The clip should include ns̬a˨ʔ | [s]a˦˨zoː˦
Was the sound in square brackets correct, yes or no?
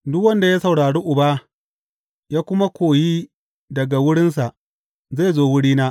no